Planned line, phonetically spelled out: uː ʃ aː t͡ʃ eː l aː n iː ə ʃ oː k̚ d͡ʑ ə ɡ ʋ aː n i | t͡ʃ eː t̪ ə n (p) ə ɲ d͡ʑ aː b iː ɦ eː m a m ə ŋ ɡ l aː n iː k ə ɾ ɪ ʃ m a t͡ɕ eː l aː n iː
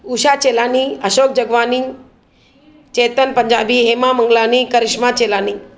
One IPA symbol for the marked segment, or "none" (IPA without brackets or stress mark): p